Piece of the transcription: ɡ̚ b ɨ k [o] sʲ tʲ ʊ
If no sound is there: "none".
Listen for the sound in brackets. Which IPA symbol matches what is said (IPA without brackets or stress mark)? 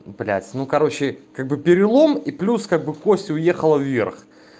o